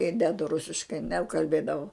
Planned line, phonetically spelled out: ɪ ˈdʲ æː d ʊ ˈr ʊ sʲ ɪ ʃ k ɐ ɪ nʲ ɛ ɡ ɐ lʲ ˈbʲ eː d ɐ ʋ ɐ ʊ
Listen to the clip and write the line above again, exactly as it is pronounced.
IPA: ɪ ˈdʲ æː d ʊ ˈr ʊ sʲ ɪ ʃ k ɐ ɪ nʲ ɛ k ɐ lʲ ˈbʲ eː d ɐ ʋ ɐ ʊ